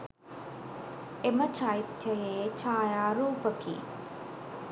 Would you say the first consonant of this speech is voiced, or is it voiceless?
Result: voiced